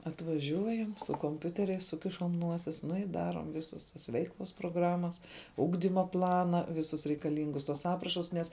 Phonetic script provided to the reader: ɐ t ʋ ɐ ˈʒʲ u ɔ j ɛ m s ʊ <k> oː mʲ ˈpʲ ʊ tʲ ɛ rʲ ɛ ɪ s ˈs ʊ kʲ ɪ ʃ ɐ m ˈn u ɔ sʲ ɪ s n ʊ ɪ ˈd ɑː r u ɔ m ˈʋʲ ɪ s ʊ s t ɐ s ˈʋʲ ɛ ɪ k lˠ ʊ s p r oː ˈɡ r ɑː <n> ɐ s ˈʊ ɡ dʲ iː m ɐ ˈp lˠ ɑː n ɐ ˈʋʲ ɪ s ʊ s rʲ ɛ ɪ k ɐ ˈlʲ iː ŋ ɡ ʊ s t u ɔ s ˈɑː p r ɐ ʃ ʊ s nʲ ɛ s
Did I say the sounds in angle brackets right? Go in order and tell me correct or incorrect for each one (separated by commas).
correct, incorrect